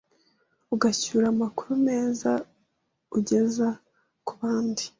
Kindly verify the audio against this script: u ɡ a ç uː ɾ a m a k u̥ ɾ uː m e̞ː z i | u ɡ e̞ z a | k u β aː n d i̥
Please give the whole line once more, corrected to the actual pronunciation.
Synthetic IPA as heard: u ɡ a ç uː ɾ a m a k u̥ ɾ u m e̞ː z a | u ɟ e̞ z a | k u β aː n d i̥